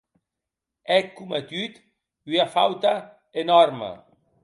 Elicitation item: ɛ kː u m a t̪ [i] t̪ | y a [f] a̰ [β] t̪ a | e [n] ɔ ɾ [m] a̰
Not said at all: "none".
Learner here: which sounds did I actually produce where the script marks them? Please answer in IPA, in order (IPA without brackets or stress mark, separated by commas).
y, f, w, n, m